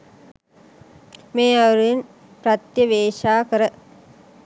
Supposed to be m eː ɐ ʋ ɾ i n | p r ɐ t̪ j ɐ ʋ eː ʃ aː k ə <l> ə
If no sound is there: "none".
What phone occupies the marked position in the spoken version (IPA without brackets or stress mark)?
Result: ɾ